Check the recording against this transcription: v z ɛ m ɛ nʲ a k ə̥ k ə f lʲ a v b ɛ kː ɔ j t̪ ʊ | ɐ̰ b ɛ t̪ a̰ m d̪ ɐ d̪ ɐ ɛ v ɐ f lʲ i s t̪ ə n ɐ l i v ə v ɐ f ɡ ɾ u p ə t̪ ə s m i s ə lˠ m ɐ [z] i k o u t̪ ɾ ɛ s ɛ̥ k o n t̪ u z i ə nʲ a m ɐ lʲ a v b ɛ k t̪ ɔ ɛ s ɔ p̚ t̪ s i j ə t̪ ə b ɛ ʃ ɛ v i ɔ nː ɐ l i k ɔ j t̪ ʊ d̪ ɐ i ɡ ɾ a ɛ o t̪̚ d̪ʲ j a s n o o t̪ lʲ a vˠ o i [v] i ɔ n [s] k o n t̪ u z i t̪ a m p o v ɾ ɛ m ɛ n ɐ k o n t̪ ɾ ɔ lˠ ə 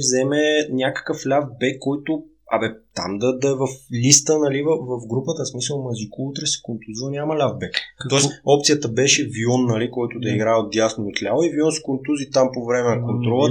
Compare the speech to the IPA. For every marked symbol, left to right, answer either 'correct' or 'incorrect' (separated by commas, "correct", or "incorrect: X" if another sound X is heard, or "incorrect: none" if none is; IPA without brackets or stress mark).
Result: correct, correct, correct